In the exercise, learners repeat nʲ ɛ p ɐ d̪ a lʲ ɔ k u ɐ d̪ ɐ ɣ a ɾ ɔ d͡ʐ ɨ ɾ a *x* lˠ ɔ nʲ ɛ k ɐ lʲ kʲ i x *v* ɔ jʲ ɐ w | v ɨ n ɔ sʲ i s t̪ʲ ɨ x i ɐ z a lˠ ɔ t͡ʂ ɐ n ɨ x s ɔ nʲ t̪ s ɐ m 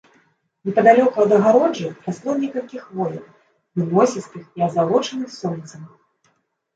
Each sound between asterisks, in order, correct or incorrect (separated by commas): incorrect, correct